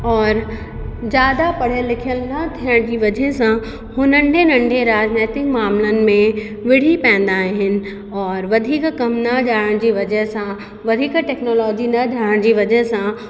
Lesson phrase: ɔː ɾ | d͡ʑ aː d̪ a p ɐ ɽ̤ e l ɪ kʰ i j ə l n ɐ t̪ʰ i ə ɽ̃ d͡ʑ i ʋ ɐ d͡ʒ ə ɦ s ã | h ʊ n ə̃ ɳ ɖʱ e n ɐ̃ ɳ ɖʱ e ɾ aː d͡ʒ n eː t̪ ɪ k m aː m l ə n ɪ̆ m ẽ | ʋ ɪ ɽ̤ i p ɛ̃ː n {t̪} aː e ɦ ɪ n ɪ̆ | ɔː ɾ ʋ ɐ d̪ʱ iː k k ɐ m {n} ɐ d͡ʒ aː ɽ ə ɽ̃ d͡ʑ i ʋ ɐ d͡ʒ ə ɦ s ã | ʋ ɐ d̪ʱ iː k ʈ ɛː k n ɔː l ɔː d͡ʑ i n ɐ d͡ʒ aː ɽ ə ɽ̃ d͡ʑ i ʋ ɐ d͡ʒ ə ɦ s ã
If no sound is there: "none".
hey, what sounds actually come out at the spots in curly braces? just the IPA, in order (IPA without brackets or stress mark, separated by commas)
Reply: d̪, n